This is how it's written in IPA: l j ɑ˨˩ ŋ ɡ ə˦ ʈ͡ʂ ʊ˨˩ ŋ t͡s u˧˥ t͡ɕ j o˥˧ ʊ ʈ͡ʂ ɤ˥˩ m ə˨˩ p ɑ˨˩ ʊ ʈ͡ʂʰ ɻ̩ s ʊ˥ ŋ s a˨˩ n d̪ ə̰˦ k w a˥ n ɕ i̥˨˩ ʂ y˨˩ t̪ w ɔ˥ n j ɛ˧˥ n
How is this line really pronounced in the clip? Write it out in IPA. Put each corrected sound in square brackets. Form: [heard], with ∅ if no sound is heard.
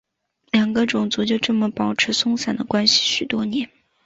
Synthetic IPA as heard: l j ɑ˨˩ ŋ ɡ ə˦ ʈ͡ʂ ʊ˨˩ ŋ t͡s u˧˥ t͡ɕ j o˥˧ ʊ ʈ͡ʂ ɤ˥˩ m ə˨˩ p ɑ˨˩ ʊ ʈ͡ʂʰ ɻ̩ s ʊ˥ ŋ s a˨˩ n d̪ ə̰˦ k w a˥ n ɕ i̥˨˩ [ɕ] y˨˩ t̪ w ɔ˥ n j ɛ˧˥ n

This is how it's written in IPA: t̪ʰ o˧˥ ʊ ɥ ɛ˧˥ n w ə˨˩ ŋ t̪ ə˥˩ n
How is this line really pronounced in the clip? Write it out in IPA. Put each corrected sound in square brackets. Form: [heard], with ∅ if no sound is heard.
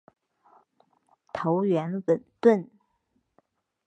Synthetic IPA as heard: t̪ʰ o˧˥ ʊ ɥ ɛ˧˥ n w ə˨˩ [n] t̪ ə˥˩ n

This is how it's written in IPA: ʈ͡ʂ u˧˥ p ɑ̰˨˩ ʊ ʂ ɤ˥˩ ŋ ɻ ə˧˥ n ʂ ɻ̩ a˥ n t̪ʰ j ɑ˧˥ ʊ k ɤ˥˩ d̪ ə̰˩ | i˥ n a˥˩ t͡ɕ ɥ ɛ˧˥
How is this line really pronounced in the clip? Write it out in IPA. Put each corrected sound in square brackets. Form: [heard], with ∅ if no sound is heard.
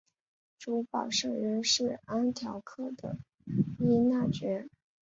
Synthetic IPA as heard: ʈ͡ʂ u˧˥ p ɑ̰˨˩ ʊ ʂ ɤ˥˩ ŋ ɻ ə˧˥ n ʂ ɻ̩ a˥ n t̪ʰ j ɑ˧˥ ʊ [kʰ] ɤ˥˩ d̪ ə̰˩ | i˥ n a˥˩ t͡ɕ ɥ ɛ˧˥

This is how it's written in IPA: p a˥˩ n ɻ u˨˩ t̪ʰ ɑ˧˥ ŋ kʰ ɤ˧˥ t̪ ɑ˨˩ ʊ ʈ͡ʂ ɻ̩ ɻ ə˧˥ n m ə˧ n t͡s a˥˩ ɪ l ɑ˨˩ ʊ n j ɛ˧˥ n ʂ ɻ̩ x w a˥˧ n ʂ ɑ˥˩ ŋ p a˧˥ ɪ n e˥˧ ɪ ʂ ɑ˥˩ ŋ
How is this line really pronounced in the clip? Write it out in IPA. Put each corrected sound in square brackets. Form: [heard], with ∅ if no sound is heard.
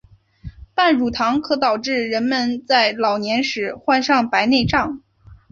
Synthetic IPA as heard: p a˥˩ n ɻ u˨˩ t̪ʰ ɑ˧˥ ŋ kʰ ɤ˧˥ t̪ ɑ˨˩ ʊ ʈ͡ʂ ɻ̩ ɻ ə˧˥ n m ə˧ n t͡s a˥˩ ɪ l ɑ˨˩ ʊ n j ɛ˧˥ n ʂ ɻ̩ x w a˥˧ n ʂ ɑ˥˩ ŋ p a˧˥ ɪ n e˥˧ ɪ [ʈ͡ʂ] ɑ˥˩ ŋ

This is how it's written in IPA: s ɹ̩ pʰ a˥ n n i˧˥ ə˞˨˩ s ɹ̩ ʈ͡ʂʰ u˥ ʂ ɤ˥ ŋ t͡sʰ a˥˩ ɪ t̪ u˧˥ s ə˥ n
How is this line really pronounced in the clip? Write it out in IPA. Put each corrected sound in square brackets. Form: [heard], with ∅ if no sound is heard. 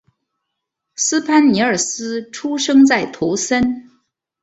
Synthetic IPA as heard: s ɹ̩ pʰ a˥ n n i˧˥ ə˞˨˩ s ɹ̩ ʈ͡ʂʰ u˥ ʂ ɤ˥ ŋ [t͡s] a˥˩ ɪ [t̪ʰ] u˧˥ s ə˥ n

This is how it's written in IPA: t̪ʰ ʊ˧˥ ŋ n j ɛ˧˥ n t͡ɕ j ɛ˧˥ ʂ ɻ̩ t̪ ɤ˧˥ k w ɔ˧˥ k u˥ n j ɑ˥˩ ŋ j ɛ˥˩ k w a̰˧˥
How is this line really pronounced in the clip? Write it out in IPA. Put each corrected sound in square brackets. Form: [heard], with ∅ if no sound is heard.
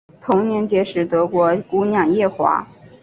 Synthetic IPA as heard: t̪ʰ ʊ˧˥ ŋ n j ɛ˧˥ n t͡ɕ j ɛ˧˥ ʂ ɻ̩ t̪ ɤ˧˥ k w ɔ˧˥ k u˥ n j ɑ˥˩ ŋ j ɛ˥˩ [x] w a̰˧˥

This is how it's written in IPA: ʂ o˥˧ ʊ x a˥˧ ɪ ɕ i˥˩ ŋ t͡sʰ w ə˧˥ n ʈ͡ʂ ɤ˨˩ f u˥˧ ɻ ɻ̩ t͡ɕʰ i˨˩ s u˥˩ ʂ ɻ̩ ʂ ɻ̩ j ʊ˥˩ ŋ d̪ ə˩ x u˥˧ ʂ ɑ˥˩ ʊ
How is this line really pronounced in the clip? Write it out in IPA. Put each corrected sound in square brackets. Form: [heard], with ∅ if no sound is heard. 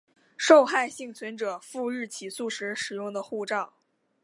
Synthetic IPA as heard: ʂ o˥˧ ʊ x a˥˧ ɪ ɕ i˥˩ ŋ t͡sʰ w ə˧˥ n ʈ͡ʂ ɤ˨˩ f u˥˧ ɻ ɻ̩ t͡ɕʰ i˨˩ s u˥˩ ʂ ɻ̩ ʂ ɻ̩ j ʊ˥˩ ŋ d̪ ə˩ x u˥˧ [ʈ͡ʂ] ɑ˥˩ ʊ

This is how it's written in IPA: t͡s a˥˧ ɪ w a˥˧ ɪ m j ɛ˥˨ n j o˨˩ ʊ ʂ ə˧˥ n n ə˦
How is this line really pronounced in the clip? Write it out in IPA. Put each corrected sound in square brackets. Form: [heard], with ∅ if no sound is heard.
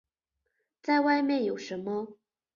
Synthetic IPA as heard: t͡s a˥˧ ɪ w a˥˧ ɪ m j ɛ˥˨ n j o˨˩ ʊ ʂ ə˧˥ n [m] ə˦

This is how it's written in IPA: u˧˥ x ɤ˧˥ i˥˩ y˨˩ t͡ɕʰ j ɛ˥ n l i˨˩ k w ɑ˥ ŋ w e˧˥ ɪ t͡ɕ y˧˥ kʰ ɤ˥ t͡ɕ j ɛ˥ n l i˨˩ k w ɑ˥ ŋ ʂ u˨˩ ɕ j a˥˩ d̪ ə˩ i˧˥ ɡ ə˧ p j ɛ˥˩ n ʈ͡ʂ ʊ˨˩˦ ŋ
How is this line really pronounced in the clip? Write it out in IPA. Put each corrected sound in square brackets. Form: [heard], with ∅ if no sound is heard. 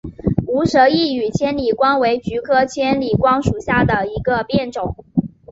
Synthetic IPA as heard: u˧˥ [ʂ] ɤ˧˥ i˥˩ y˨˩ t͡ɕʰ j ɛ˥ n l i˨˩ k w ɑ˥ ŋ w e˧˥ ɪ t͡ɕ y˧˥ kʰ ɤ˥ [t͡ɕʰ] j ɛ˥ n l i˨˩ k w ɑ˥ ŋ ʂ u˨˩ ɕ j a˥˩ d̪ ə˩ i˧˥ ɡ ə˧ p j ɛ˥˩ n ʈ͡ʂ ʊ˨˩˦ ŋ

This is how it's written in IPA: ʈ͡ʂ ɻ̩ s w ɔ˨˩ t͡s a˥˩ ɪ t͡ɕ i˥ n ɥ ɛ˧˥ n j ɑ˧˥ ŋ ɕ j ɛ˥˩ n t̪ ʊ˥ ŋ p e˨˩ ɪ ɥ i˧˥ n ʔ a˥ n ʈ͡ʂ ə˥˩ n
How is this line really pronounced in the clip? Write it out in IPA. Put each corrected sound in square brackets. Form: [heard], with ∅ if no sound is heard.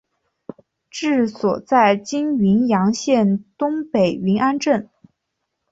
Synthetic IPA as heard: ʈ͡ʂ ɻ̩ s w ɔ˨˩ t͡s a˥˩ ɪ t͡ɕ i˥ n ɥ [i˧˥] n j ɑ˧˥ ŋ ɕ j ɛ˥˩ n t̪ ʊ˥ ŋ p e˨˩ ɪ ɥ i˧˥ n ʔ a˥ n ʈ͡ʂ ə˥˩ n

